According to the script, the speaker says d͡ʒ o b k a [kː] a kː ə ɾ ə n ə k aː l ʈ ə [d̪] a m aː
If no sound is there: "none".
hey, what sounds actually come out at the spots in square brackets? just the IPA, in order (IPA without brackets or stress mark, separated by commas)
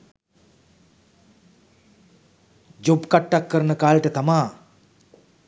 ʈː, t̪